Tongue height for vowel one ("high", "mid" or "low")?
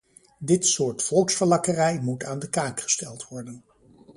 high